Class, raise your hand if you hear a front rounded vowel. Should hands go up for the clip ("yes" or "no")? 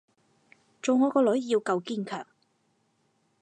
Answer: yes